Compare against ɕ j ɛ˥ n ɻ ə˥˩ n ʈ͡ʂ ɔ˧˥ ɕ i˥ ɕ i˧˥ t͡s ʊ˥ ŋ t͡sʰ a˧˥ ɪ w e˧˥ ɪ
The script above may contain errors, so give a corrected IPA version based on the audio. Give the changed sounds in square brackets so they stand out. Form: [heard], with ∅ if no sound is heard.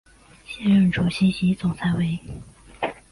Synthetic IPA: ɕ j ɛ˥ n ɻ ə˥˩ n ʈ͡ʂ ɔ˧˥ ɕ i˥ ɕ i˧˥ t͡s [ʊ˨˩] ŋ t͡sʰ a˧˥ ɪ w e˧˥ ɪ